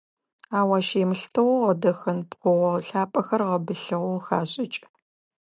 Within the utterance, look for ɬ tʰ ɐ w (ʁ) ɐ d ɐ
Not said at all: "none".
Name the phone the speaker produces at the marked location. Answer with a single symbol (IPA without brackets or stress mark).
ʁ